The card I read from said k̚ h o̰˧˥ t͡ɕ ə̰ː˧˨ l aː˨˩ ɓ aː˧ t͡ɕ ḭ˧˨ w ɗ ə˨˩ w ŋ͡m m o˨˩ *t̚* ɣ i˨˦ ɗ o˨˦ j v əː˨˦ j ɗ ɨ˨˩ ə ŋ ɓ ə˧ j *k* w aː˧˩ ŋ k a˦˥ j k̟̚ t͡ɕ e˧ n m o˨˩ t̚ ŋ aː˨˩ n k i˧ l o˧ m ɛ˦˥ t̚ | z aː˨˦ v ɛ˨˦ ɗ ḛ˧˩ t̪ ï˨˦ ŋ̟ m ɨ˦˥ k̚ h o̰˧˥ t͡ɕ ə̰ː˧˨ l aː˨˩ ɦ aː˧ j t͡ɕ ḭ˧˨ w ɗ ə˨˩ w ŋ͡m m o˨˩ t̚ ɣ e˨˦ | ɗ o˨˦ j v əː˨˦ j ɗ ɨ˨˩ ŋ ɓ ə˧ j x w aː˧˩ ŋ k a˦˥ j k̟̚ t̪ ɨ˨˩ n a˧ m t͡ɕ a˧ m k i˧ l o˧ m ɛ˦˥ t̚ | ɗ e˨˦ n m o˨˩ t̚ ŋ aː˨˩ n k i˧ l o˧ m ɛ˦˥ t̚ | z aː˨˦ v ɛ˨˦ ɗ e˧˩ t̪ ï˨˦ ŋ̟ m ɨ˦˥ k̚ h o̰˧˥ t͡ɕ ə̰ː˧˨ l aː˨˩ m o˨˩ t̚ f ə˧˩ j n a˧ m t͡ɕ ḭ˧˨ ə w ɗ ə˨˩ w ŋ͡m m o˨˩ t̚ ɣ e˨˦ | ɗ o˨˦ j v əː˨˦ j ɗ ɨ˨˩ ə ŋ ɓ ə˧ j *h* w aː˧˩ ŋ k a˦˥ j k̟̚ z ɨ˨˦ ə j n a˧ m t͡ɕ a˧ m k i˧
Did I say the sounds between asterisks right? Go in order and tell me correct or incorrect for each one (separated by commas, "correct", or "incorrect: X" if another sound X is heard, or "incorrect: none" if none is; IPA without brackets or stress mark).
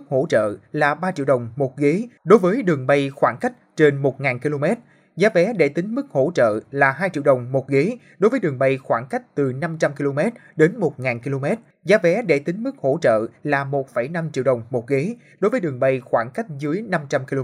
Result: correct, incorrect: x, incorrect: x